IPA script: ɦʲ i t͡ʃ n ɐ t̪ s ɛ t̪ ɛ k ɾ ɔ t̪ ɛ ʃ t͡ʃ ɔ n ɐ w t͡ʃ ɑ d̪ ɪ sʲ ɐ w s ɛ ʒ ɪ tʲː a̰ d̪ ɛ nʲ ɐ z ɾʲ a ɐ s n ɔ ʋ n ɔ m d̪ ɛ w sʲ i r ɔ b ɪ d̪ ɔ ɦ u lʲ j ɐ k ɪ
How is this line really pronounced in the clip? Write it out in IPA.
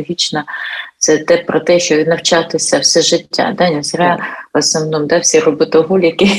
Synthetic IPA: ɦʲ i t͡ʃ n ɐ t̪ s ɛ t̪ ɛ p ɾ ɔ t̪ ɛ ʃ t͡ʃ ɔ n ɐ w t͡ʃ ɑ t̪ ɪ sʲ ɐ w s ɛ ʒ ɪ tʲː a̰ d̪ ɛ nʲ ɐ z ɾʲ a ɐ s n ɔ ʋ n ɔ m d̪ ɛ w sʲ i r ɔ b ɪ t̪ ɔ ɦ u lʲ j ɐ k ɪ